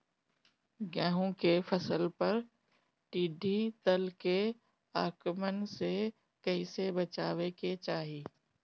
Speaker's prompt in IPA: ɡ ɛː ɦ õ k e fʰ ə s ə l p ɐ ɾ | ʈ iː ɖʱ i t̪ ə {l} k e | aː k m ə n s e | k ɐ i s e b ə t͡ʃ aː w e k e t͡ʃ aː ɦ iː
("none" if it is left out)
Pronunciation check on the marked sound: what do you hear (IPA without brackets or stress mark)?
l